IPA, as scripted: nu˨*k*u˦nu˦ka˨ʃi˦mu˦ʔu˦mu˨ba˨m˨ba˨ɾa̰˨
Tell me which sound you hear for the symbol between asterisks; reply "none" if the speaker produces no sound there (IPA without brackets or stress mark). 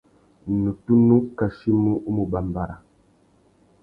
t